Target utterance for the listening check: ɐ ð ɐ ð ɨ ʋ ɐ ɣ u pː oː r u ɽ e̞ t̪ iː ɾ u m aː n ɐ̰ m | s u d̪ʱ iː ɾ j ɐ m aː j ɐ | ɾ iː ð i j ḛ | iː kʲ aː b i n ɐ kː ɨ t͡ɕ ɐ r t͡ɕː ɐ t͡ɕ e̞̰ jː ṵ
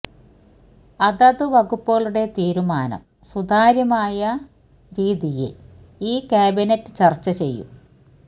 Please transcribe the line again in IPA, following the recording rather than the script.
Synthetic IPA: ɐ ð ɐ ð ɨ ʋ ɐ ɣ u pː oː ɭ u ɽ e̞ t̪ iː ɾ u m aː n ɐ̰ m | s u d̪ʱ aː ɾ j ɐ m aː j ɐ | ɾ iː ð i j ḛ | iː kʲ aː b i n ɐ tː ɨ t͡ɕ ɐ r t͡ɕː ɐ t͡ɕ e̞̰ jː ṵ